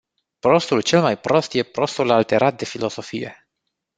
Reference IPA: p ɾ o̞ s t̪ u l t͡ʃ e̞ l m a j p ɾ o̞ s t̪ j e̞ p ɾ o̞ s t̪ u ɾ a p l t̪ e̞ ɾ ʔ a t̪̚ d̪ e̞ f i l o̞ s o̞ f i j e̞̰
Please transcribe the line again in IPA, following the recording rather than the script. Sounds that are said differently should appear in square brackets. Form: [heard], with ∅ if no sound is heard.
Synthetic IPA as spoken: p ɾ o̞ s t̪ u l t͡ʃ e̞ l m a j p ɾ o̞ s t̪ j e̞ p ɾ o̞ s t̪ u [l] a [∅] l t̪ e̞ ɾ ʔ a t̪̚ d̪ e̞ f i l o̞ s o̞ f i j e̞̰

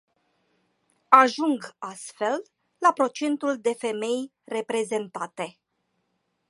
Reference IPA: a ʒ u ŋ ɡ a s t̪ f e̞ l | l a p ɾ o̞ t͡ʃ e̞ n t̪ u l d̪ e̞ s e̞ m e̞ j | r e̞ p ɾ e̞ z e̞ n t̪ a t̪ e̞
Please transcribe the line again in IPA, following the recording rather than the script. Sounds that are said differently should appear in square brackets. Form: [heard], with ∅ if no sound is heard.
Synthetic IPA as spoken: a ʒ u ŋ ɡ a s t̪ f e̞ l | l a p ɾ o̞ t͡ʃ e̞ n t̪ u l d̪ e̞ [f] e̞ m e̞ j | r e̞ p ɾ e̞ z e̞ n t̪ a t̪ e̞

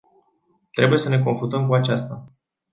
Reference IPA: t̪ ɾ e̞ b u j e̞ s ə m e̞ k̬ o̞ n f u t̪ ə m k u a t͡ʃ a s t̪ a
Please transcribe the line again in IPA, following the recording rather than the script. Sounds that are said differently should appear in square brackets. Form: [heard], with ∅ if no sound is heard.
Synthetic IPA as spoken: t̪ ɾ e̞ b u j e̞ s ə [n] e̞ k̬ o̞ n f u t̪ ə m k u a t͡ʃ a s t̪ a

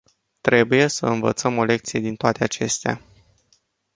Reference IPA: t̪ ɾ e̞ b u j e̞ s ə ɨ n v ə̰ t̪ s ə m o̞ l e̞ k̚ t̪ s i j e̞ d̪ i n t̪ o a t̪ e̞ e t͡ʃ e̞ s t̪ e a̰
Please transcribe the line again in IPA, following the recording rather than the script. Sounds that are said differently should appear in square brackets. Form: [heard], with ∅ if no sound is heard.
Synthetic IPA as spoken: t̪ ɾ e̞ b u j e̞ s ə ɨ n v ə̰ t̪ s ə m o̞ l e̞ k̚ t̪ s i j e̞ d̪ i n t̪ o a t̪ e̞ [a] t͡ʃ e̞ s t̪ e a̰

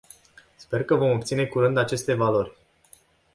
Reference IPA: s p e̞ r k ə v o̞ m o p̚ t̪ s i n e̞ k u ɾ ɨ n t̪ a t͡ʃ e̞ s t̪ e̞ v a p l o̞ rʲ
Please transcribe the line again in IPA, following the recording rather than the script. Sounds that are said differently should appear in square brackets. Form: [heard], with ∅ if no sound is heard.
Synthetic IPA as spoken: s p e̞ r k ə v o̞ m o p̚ t̪ s i n e̞ k u ɾ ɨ n [d̪] a t͡ʃ e̞ s t̪ e̞ v a [∅] l o̞ rʲ

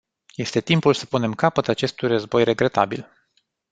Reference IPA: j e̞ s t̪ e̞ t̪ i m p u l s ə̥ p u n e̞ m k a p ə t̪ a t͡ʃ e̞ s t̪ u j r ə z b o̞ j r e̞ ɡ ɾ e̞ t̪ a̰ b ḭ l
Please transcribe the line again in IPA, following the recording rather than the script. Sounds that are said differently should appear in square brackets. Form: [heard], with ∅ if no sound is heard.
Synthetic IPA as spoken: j e̞ s t̪ e̞ t̪ i m p u l s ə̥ p u n e̞ m k a p ə t̪ a t͡ʃ e̞ s t̪ u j r ə z b o̞ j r e̞ ɡ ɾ e̞ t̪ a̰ b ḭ l

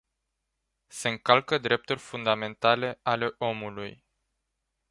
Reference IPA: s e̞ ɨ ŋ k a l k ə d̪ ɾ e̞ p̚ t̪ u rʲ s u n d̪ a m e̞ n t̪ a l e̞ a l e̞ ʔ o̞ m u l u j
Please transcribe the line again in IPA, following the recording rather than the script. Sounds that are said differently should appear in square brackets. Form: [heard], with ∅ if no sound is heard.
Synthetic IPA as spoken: s e̞ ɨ ŋ k a l k ə d̪ ɾ e̞ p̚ t̪ u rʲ [f] u n d̪ a m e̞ n t̪ a l e̞ a l e̞ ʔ o̞ m u l u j

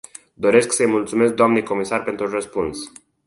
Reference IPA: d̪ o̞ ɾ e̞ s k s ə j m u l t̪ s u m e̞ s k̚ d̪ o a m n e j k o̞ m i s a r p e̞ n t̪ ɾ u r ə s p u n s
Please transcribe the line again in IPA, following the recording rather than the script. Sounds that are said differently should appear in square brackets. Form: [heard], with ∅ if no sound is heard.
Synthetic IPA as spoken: d̪ o̞ ɾ e̞ s k s ə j m u l t̪ s u m e̞ s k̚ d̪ o a m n e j k o̞ m i s a r p e̞ n t̪ ɾ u r ə s p u n s

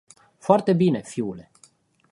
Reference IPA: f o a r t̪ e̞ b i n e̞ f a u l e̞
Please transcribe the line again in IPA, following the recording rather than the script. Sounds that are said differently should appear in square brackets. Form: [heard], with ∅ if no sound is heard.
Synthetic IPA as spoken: f o a r t̪ e̞ b i n e̞ f [i] u l e̞

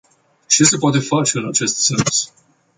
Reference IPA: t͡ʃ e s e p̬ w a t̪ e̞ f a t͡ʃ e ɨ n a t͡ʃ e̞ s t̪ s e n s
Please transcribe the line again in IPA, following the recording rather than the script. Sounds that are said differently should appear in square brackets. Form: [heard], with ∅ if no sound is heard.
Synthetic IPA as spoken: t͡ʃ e s e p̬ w a t̪ e̞ f a t͡ʃ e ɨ n a t͡ʃ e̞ s t̪ s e n s

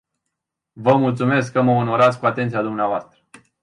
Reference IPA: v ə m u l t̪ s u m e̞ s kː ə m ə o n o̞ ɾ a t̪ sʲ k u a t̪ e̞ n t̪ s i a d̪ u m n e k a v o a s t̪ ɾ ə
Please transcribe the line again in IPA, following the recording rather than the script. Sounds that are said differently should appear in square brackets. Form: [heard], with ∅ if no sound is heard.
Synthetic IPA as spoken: v ə m u l t̪ s u m e̞ s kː ə m ə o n o̞ ɾ a t̪ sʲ k u a t̪ e̞ n t̪ s i a d̪ u m n e [∅] a v o a s t̪ ɾ ə

